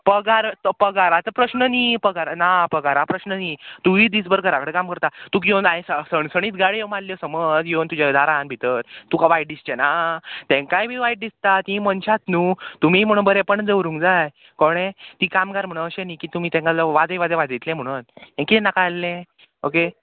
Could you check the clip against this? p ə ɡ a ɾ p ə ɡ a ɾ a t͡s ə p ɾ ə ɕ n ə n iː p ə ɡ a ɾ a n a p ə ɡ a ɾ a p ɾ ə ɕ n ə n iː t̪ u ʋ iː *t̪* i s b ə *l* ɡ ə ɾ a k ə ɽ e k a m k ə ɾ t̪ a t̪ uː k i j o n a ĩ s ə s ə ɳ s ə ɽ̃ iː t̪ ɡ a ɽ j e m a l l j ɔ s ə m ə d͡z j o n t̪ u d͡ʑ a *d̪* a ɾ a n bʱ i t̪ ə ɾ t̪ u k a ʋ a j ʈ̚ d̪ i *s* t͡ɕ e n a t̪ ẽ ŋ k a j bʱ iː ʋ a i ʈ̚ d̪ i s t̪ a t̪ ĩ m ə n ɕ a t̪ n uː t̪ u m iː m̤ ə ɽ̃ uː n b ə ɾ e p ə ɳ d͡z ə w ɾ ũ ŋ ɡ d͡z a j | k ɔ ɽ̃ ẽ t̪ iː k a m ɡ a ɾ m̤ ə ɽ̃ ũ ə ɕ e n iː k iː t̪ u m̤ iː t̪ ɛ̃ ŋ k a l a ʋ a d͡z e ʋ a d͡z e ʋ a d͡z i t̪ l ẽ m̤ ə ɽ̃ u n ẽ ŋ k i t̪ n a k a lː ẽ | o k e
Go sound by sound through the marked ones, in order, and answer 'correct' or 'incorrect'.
incorrect: d̪, incorrect: ɾ, correct, correct

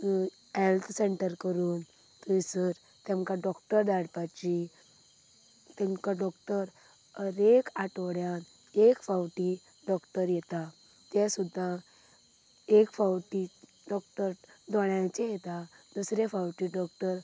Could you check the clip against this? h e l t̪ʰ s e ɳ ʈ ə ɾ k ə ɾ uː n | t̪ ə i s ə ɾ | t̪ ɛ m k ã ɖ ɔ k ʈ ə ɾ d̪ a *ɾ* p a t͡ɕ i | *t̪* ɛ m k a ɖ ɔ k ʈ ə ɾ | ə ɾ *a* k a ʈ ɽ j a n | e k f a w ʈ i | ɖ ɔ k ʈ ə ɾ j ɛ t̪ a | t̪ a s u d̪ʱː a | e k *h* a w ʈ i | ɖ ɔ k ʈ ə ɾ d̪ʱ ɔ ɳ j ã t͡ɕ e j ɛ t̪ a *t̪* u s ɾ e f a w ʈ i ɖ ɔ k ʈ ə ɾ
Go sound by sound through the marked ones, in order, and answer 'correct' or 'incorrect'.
incorrect: ɽ, correct, incorrect: e, incorrect: f, incorrect: d̪

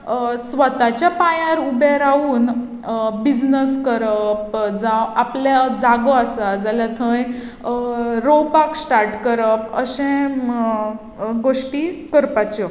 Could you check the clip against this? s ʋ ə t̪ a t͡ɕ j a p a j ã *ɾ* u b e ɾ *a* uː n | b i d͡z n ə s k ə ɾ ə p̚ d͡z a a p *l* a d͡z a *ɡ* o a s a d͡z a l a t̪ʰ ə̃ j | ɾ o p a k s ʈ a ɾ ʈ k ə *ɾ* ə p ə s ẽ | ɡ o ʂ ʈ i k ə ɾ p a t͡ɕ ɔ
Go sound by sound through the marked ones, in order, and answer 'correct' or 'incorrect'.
correct, correct, correct, correct, correct

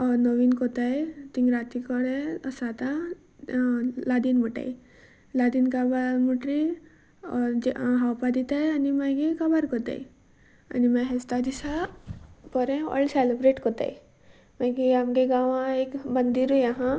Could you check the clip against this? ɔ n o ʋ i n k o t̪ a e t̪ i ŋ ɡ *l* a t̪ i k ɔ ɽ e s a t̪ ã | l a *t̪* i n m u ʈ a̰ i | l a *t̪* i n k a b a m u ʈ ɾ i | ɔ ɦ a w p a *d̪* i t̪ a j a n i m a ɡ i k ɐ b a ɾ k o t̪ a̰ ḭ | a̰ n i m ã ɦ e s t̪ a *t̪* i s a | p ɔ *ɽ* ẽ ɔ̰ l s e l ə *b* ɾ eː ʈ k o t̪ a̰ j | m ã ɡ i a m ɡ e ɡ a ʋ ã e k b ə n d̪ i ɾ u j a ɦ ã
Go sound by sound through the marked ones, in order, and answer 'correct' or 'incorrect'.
incorrect: ɾ, incorrect: d̪, incorrect: d̪, correct, incorrect: d̪, incorrect: ɾ, correct

